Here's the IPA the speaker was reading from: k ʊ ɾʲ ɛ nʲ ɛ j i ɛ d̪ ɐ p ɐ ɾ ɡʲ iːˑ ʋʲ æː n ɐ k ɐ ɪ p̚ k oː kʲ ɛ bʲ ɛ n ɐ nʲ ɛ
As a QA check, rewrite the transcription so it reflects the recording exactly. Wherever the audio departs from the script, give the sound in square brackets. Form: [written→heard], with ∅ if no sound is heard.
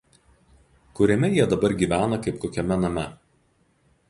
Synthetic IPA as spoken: k ʊ ɾʲ ɛ [nʲ→mʲ] ɛ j i ɛ d̪ ɐ [p→b] ɐ ɾ ɡʲ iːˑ ʋʲ æː n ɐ k ɐ ɪ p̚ k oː kʲ ɛ [bʲ→mʲ] ɛ n ɐ [nʲ→mʲ] ɛ

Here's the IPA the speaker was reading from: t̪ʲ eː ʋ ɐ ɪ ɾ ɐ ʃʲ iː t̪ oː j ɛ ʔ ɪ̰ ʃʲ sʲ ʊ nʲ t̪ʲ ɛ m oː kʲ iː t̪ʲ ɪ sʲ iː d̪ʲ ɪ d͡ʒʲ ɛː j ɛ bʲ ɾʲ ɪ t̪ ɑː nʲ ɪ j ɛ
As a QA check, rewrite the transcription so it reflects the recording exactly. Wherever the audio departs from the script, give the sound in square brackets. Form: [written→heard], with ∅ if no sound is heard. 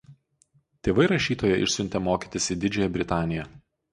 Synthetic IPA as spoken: t̪ʲ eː ʋ ɐ ɪ ɾ ɐ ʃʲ iː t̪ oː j ɛ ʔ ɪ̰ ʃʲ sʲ ʊ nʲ t̪ʲ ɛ m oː kʲ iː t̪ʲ ɪ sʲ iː d̪ʲ ɪ d͡ʒʲ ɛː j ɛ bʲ ɾʲ ɪ t̪ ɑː nʲ ɪ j ɛ

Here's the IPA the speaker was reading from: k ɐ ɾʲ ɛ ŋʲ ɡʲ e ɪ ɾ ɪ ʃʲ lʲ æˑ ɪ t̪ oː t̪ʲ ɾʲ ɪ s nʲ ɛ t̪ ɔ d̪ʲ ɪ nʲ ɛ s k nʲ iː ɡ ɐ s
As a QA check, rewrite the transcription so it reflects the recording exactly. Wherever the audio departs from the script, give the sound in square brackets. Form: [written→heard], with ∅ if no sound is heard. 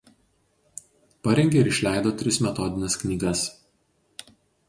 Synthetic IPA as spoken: [k→p] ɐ ɾʲ ɛ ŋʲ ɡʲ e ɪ ɾ ɪ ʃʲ lʲ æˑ ɪ [t̪→d̪] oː t̪ʲ ɾʲ ɪ s [nʲ→mʲ] ɛ t̪ ɔ d̪ʲ ɪ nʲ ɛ s k nʲ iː ɡ ɐ s

